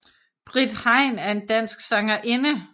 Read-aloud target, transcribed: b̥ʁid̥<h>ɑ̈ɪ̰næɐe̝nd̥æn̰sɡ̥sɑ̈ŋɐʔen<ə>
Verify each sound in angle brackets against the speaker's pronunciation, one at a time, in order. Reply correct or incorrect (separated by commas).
correct, correct